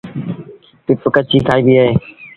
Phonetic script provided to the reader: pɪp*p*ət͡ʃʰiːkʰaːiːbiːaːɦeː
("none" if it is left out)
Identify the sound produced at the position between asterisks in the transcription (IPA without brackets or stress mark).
k